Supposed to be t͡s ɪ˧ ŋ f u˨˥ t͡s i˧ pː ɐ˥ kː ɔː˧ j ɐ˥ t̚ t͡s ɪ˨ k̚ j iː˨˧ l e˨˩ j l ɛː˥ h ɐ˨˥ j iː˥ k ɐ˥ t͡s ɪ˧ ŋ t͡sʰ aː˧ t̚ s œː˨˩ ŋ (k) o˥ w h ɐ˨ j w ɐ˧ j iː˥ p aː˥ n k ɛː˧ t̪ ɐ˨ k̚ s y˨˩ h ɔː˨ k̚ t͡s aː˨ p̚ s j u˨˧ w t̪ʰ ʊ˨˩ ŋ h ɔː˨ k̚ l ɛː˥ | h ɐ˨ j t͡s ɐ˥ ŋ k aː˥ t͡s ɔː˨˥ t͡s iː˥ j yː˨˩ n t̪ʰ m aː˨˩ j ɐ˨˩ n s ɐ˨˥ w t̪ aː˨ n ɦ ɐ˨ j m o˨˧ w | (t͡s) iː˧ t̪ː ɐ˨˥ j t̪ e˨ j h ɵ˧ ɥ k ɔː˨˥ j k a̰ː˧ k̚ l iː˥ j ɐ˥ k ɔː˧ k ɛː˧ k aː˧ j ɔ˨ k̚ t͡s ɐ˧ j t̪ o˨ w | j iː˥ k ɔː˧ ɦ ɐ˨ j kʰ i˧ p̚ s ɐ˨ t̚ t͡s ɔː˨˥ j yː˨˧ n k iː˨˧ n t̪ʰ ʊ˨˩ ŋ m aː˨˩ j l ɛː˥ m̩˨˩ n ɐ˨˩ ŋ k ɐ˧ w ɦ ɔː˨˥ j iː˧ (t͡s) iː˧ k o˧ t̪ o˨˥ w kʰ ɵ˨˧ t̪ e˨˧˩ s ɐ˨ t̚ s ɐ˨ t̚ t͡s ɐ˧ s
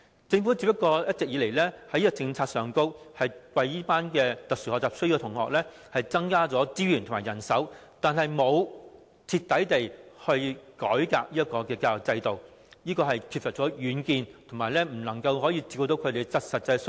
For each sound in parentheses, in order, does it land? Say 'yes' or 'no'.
yes, no, yes

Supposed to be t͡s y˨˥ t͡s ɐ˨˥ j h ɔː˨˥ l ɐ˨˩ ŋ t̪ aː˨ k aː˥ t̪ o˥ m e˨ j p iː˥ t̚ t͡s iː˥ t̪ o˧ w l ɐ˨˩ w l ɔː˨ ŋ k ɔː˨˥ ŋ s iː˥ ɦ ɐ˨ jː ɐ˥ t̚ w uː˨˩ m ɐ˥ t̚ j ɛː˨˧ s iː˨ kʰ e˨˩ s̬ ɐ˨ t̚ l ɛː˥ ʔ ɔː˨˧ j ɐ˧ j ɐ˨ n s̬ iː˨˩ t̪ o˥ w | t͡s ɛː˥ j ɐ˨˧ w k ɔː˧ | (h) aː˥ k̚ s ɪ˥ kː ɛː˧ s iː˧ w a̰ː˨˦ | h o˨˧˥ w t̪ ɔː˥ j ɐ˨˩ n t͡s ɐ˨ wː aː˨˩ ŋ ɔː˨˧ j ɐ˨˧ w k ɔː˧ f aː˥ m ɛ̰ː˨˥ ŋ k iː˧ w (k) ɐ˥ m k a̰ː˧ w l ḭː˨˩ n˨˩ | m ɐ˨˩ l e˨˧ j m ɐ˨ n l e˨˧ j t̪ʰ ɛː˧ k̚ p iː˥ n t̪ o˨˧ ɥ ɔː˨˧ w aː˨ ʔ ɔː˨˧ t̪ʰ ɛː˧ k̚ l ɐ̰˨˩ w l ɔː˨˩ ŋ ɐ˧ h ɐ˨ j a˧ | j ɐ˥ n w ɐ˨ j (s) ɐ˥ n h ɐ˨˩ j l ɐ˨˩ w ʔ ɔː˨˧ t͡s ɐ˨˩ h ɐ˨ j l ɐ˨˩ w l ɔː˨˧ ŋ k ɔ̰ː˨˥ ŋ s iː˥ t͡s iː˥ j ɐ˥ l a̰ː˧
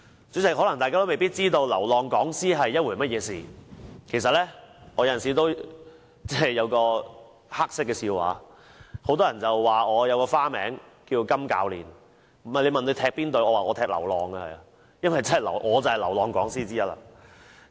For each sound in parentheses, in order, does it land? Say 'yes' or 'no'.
yes, yes, no

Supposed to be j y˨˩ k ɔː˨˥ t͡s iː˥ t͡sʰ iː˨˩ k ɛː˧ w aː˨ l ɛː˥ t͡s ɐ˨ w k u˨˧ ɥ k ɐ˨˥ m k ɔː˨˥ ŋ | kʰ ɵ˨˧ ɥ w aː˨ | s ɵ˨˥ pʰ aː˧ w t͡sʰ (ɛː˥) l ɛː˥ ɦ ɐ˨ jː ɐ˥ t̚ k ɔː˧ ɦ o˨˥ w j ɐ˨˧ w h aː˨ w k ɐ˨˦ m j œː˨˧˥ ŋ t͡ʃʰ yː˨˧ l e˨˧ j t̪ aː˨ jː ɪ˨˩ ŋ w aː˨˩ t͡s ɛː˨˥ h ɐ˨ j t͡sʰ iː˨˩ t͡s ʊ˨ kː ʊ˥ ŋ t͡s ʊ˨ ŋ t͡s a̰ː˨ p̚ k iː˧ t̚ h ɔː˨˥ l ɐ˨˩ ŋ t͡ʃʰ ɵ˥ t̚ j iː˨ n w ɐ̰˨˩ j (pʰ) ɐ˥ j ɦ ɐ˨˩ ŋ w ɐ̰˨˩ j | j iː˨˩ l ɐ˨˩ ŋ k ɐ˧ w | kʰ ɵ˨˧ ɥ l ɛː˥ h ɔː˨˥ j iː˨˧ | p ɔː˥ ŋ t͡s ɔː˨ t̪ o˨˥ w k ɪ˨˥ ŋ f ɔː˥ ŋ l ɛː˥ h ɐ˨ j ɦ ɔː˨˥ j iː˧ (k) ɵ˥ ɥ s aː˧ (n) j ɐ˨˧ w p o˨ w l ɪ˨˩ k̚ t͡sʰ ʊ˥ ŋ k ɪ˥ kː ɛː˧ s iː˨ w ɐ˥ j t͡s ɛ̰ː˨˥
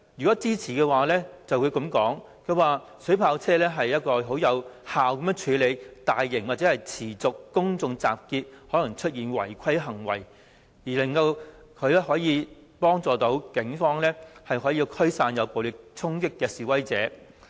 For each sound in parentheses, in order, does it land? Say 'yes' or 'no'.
yes, no, no, yes

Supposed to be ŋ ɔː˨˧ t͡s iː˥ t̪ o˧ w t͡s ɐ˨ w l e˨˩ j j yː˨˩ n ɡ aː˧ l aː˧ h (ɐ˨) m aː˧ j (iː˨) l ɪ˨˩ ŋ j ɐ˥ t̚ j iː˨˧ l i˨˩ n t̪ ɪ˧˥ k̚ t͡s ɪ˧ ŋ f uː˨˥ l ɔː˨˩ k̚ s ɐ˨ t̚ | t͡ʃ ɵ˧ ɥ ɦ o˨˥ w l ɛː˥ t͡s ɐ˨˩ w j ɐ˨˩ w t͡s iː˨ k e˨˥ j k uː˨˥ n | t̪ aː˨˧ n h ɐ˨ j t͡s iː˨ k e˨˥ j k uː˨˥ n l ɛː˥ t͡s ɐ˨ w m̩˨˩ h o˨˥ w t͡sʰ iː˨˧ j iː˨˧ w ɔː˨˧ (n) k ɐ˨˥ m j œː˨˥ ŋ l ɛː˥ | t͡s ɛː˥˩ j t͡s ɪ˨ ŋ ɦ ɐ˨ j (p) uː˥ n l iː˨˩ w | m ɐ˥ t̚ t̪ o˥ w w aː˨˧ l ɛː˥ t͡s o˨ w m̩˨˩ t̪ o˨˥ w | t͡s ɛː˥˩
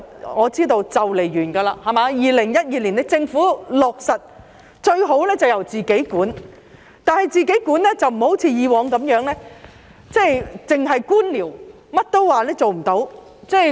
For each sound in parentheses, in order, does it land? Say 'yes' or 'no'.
yes, yes, no, no

